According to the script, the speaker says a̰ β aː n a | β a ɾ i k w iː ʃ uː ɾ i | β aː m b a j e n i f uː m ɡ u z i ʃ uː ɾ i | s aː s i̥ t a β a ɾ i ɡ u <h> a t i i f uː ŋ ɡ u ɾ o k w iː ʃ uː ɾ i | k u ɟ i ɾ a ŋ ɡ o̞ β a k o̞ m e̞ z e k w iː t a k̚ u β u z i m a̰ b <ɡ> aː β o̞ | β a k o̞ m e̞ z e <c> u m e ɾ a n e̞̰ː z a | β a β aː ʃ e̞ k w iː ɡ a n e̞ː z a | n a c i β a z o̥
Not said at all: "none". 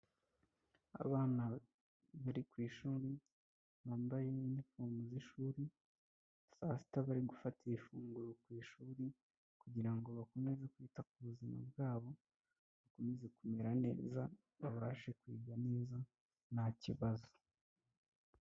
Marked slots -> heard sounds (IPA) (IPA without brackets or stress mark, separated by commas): f, ɡ, k